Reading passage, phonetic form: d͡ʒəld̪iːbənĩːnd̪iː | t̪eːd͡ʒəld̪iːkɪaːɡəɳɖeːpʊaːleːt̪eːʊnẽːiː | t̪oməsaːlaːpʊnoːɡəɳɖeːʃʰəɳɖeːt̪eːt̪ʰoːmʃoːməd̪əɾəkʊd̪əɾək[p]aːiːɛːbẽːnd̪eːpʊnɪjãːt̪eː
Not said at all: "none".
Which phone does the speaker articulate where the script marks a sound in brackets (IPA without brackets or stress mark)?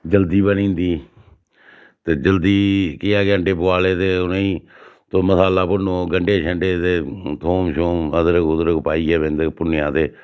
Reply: p